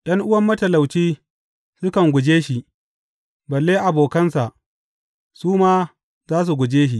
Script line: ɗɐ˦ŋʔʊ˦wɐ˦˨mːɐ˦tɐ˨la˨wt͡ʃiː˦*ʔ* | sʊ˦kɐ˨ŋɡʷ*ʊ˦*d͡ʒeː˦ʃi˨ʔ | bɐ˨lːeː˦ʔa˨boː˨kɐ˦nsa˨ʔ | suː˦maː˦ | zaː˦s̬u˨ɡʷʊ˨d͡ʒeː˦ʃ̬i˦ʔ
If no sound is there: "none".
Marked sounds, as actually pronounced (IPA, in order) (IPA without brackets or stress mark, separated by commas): none, ʊ˨